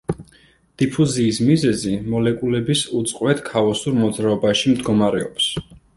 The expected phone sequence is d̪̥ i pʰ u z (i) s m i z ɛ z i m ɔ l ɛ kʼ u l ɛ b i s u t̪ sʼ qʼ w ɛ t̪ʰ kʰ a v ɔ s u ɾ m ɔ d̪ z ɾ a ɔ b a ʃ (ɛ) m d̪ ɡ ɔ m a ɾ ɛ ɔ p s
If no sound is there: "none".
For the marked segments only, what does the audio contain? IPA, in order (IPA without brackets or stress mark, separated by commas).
iː, i